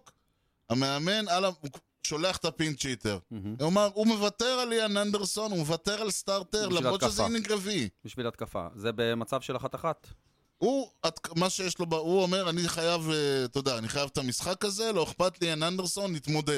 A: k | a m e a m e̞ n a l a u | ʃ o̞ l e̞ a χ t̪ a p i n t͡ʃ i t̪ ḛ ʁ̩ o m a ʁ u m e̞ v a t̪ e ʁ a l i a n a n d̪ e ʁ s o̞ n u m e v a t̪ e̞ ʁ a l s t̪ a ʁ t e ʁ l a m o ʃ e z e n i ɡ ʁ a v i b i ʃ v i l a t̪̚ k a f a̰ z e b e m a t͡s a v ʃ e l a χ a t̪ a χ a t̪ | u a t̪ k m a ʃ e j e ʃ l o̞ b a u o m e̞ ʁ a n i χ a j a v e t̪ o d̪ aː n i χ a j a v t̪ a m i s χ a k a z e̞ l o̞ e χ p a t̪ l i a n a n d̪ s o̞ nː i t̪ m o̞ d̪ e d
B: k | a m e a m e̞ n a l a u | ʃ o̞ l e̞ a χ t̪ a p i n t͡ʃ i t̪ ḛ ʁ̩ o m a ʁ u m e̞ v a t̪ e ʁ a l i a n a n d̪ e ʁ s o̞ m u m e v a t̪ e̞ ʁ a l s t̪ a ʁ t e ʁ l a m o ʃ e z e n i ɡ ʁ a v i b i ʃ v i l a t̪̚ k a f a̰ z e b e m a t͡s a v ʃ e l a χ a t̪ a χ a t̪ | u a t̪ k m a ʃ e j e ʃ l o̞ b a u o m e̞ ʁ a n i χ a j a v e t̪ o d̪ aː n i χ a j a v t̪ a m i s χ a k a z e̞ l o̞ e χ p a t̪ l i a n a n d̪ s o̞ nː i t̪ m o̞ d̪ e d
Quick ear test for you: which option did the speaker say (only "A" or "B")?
A